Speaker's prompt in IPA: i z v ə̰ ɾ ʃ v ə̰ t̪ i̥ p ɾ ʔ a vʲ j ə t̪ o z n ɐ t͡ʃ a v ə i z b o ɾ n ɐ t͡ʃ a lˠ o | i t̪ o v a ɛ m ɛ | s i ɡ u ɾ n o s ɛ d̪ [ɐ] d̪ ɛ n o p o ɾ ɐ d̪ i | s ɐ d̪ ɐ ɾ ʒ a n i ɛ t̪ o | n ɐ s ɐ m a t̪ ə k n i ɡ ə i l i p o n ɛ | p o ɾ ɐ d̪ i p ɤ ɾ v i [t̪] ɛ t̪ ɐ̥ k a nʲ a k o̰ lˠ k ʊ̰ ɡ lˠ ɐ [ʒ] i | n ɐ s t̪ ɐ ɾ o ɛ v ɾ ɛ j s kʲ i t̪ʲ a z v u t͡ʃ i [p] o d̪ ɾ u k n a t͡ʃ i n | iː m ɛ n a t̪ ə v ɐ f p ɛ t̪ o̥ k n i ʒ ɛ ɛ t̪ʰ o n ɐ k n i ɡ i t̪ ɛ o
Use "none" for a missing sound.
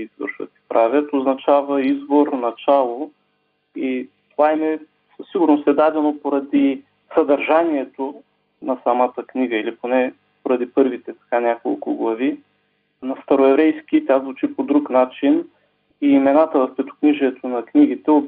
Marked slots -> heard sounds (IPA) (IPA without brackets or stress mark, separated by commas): a, t̪, v, p